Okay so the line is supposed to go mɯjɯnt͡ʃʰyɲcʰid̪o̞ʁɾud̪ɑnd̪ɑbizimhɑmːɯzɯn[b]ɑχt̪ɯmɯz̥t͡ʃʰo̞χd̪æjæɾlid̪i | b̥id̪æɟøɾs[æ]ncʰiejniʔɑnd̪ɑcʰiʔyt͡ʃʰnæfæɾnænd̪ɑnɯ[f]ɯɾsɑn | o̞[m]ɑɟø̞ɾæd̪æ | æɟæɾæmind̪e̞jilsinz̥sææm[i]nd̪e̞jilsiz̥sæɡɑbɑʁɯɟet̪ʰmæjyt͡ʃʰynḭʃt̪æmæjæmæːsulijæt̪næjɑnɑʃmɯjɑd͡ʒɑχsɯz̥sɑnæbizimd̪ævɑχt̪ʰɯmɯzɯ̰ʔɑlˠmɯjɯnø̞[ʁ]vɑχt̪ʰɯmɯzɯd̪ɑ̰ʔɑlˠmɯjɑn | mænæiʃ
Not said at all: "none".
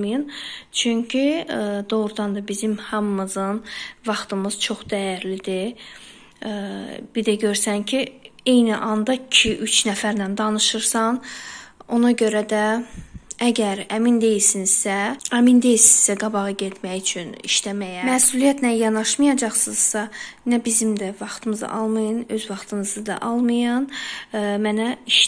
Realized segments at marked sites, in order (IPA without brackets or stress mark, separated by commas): v, æ, ʃ, n, i, z